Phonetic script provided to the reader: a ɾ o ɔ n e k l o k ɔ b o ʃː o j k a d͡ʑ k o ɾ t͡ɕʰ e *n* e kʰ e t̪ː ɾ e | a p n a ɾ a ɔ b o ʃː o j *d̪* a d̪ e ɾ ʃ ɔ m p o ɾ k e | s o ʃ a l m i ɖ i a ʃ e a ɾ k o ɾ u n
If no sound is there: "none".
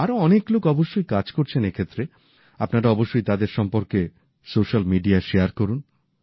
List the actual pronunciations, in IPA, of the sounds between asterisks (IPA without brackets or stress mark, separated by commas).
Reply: n, t̪